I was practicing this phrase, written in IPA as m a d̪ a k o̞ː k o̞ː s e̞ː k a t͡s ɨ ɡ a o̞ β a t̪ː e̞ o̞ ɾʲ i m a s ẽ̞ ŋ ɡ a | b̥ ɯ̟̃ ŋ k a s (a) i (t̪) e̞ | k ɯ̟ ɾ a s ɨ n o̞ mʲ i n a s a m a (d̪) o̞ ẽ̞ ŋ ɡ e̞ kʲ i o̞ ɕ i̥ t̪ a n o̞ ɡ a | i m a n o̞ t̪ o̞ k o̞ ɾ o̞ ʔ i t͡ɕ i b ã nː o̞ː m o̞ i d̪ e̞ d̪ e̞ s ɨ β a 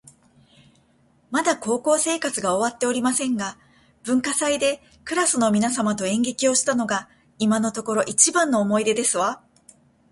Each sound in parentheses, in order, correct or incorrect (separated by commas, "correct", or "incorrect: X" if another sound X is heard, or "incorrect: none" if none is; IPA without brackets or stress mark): correct, incorrect: d̪, incorrect: t̪